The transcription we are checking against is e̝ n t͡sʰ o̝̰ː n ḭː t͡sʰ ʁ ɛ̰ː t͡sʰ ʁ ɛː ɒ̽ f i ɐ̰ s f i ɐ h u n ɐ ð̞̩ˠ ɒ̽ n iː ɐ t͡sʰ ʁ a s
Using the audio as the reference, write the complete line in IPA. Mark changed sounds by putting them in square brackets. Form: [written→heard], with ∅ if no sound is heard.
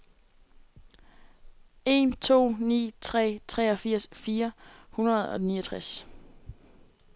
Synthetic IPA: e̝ n t͡sʰ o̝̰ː n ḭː t͡sʰ ʁ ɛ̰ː t͡sʰ ʁ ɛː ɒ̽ f i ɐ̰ s f [i→iː] ɐ h u n ɐ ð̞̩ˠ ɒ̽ n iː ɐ t͡sʰ ʁ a s